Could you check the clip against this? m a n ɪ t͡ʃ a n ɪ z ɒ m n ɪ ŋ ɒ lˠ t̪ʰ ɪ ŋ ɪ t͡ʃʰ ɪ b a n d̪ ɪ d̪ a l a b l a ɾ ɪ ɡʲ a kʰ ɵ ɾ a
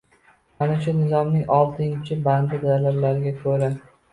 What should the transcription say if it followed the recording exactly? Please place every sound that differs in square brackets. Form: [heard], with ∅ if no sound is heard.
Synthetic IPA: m a n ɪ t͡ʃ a n ɪ z ɒ m n ɪ ŋ ɒ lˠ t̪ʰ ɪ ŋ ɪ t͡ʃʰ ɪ b a n d̪ ɪ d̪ a l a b l a ɾ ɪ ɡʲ a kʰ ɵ ɾ a